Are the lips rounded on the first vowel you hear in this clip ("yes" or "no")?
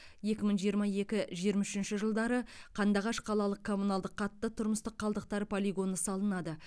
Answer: no